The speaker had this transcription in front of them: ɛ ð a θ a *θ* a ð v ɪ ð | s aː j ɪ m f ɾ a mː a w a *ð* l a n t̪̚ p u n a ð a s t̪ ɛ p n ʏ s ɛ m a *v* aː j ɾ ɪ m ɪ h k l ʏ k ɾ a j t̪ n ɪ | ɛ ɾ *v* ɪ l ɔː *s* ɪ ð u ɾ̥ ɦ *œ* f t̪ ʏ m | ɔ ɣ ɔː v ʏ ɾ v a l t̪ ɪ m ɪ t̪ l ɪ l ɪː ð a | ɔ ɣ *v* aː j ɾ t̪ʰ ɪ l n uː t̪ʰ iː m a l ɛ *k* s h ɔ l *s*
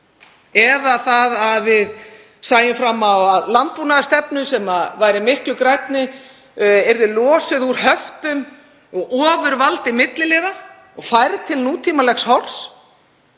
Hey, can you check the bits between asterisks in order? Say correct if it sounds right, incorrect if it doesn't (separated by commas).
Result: incorrect, correct, correct, incorrect, correct, correct, incorrect, incorrect, correct